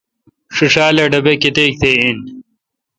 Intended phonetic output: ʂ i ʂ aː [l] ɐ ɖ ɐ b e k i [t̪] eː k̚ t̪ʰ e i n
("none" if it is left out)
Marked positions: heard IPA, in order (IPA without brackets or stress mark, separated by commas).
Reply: l, t̪